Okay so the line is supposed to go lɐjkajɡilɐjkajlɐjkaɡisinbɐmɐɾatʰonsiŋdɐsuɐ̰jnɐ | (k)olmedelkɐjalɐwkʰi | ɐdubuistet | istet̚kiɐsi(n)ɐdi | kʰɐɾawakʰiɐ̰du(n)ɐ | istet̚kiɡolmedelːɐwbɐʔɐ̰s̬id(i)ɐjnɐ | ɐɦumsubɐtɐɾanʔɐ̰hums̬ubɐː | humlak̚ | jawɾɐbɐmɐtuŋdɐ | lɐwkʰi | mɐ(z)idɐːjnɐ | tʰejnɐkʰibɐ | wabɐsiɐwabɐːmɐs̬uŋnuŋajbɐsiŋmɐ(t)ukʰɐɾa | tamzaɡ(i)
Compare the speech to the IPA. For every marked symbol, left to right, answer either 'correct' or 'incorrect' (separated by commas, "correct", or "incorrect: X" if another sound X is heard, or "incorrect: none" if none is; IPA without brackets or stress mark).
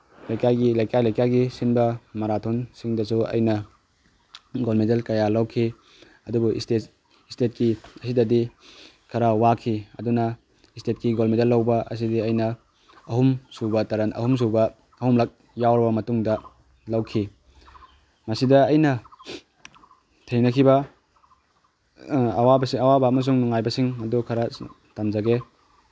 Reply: incorrect: ɡ, incorrect: d, correct, correct, incorrect: s, incorrect: d, incorrect: e